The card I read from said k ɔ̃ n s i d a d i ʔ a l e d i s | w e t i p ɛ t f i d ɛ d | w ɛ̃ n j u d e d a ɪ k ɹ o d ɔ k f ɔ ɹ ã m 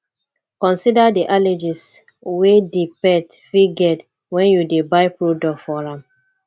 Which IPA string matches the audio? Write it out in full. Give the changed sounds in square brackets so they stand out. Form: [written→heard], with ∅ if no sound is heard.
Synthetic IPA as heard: k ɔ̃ n s i d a d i ʔ a l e [d→d͡ʒ] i s | w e [t→d] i p ɛ t f i [d→ɡ] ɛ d | w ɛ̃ n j u d e [d→b] a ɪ [k→p] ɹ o d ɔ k f ɔ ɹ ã m